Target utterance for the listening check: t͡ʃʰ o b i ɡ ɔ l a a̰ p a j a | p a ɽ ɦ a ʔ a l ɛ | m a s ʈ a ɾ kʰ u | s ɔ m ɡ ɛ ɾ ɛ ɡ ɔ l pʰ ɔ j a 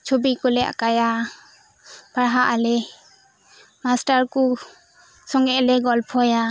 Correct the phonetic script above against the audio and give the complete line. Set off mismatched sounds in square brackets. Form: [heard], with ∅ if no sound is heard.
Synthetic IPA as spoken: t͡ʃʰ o b i [k] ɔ l [ɛ] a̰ [k] a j a | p a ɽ ɦ a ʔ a l ɛ | m a s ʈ a ɾ [k] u | s ɔ [ŋ] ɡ ɛ [l] ɛ ɡ ɔ l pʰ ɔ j a